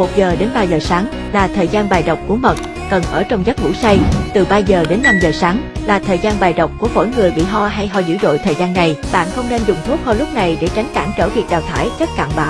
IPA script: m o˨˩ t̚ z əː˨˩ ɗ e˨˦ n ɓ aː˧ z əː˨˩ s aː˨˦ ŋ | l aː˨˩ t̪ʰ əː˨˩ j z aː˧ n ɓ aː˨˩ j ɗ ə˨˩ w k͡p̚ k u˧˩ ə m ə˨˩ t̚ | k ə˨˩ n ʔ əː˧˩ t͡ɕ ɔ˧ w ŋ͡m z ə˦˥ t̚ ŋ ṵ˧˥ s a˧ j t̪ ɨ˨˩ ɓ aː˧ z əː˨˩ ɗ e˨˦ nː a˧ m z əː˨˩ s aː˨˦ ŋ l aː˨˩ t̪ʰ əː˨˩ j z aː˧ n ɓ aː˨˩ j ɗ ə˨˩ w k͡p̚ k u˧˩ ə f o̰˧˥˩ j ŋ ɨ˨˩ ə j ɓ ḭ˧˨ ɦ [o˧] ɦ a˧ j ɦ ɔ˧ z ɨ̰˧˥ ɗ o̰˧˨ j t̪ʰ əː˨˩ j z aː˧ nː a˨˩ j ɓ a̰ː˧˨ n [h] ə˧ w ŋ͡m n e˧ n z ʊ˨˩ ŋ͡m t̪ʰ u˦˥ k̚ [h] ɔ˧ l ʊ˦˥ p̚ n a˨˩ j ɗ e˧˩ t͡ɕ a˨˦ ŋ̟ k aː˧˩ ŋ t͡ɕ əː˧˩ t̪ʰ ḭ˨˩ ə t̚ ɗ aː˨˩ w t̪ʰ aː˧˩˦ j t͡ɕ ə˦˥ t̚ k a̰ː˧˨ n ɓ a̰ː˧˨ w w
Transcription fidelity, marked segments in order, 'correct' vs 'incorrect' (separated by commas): incorrect, incorrect, correct